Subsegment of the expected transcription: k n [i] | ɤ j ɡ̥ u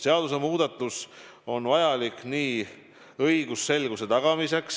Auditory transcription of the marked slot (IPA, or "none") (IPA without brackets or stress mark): iː